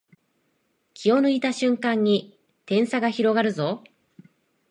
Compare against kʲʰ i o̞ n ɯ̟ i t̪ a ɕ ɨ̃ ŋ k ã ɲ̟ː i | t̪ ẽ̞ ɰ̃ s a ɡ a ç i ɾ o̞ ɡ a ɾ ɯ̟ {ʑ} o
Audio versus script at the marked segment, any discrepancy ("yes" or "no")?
yes